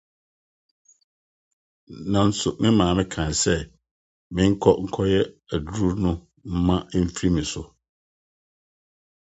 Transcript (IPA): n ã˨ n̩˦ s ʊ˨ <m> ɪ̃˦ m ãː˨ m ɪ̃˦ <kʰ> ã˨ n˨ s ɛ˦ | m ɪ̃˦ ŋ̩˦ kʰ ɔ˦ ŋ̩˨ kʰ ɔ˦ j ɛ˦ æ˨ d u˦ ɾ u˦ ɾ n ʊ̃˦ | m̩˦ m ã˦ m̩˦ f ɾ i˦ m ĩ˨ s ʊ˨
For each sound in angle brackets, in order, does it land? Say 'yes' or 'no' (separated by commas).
yes, yes